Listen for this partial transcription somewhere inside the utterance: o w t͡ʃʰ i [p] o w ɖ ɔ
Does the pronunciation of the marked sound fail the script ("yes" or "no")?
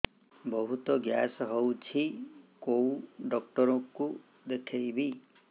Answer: yes